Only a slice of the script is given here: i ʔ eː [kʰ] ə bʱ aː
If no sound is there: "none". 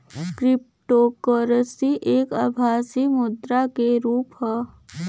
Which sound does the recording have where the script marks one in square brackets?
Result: k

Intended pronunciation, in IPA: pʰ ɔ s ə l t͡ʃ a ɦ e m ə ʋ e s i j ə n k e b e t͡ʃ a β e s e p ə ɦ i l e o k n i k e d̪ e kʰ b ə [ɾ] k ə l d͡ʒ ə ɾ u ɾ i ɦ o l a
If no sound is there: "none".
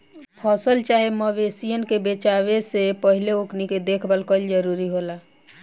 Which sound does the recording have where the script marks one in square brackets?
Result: l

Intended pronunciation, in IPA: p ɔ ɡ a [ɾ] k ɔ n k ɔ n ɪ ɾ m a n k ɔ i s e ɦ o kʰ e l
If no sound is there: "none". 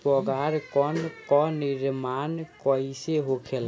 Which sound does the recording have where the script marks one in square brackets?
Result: ɾ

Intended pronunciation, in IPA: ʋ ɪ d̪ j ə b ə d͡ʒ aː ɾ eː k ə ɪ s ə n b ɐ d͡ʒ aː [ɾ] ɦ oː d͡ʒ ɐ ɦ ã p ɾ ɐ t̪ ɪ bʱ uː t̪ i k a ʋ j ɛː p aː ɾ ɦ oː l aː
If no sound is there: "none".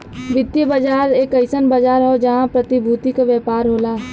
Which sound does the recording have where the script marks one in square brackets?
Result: ɾ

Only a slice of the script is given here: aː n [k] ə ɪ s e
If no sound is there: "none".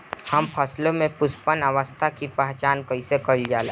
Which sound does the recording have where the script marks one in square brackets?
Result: k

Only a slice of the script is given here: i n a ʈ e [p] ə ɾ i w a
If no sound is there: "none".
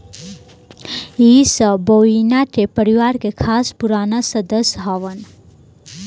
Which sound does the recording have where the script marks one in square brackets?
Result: p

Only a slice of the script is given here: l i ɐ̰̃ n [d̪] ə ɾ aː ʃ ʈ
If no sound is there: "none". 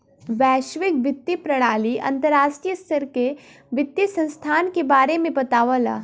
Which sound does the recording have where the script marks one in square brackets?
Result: t̪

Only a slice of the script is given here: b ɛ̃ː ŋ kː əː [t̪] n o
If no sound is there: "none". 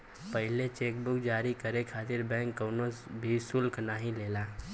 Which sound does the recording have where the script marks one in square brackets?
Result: none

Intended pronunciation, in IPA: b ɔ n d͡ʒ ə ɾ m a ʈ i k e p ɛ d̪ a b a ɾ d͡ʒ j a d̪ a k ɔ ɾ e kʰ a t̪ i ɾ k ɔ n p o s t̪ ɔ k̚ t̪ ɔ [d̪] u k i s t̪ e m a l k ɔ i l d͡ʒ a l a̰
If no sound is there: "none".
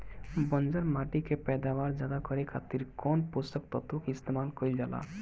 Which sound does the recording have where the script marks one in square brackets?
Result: t̪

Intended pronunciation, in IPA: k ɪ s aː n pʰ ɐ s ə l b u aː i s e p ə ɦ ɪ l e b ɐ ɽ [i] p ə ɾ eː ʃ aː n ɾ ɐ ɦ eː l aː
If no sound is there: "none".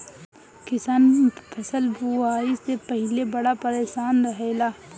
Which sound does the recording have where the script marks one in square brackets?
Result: a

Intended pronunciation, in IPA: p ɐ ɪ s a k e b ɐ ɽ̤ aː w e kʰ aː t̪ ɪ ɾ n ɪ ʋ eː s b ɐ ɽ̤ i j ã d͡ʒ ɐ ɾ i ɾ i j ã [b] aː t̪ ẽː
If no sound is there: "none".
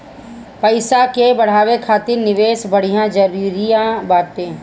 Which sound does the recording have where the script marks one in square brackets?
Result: b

